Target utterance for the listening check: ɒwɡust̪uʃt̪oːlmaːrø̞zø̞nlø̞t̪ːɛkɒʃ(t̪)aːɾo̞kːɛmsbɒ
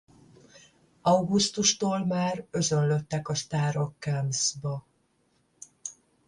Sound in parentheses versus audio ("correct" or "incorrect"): correct